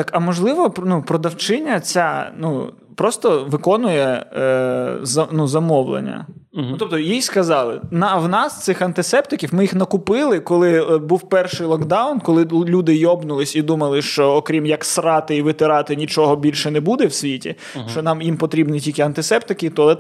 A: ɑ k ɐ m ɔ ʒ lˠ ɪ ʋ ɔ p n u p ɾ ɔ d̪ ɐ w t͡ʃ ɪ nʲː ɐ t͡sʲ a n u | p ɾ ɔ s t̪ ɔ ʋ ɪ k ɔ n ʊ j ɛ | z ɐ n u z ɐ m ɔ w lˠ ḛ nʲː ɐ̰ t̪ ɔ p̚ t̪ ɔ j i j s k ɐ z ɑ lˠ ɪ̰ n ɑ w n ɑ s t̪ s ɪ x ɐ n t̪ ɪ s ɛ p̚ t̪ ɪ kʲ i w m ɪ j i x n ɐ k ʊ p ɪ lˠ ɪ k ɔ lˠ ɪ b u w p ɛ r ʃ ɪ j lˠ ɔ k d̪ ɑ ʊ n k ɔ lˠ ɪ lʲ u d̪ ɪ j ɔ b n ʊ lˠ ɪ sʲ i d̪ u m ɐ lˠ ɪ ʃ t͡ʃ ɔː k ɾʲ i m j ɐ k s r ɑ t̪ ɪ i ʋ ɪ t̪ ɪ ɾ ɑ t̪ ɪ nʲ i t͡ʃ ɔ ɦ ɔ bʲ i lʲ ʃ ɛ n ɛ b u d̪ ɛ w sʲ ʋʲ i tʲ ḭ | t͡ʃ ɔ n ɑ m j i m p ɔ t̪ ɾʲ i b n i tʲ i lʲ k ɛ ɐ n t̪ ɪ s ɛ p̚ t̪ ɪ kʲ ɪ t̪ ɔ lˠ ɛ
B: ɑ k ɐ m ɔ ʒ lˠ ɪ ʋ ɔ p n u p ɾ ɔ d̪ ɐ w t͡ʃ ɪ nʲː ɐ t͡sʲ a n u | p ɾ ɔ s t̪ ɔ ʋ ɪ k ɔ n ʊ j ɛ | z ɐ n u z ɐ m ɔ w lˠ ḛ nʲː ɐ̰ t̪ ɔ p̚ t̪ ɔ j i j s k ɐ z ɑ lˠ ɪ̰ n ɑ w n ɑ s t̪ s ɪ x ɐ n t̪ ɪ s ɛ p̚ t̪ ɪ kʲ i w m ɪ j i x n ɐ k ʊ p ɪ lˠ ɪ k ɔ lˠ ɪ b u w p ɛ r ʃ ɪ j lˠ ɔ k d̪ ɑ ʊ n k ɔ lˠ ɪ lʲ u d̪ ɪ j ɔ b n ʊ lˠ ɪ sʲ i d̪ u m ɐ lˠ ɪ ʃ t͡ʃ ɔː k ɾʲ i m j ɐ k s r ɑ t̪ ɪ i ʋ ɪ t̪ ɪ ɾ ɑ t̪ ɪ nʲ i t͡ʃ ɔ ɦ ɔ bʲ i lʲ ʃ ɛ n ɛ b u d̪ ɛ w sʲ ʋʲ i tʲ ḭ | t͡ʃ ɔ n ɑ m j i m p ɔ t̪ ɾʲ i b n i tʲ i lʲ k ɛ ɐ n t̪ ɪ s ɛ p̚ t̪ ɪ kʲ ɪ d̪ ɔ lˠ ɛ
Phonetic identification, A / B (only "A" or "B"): A